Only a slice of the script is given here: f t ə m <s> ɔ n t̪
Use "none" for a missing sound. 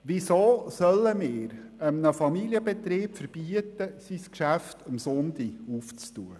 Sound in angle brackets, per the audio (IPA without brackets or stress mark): s